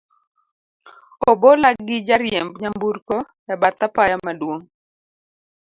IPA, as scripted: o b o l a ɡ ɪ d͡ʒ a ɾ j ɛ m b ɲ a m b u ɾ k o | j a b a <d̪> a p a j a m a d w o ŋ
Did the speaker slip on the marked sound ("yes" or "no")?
yes